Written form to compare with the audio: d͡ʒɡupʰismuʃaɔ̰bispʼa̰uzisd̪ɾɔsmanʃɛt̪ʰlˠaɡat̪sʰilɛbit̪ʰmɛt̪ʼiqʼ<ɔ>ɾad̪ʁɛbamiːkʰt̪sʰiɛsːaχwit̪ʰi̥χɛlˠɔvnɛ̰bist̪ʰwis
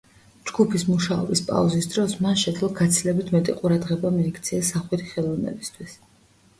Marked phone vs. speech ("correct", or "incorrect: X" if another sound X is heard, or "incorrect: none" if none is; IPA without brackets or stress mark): incorrect: u